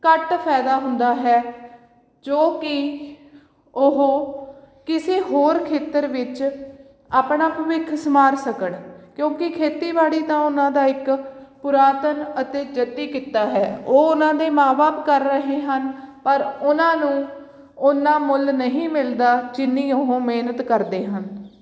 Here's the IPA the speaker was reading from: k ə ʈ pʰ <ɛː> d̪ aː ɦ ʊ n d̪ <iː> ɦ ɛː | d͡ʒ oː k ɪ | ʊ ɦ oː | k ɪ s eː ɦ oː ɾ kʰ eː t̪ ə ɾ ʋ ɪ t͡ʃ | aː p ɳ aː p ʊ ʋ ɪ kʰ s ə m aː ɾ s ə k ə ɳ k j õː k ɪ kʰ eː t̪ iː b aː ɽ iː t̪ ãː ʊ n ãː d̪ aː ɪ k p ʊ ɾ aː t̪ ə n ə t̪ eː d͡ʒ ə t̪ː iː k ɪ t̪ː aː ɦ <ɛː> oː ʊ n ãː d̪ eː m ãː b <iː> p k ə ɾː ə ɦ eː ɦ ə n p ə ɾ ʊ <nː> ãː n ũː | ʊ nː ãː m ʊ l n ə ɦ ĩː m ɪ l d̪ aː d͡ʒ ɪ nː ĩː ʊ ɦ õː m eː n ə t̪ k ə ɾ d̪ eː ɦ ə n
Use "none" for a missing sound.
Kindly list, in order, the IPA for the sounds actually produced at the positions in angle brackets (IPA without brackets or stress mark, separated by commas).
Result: ɛː, aː, ɛː, aː, n